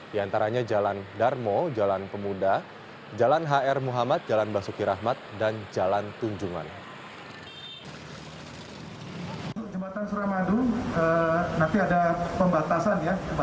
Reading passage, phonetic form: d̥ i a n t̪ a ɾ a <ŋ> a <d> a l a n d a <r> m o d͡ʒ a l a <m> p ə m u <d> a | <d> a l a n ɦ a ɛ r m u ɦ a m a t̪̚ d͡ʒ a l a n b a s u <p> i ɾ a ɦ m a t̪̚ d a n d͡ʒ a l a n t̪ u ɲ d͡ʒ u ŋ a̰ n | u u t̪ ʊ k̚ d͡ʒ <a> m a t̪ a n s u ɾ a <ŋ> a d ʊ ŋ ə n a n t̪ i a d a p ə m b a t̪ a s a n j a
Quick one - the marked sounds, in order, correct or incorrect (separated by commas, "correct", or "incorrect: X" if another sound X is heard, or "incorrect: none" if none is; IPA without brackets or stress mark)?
incorrect: ɲ, incorrect: d͡ʒ, correct, incorrect: n, correct, incorrect: d͡ʒ, incorrect: k, incorrect: ə, incorrect: m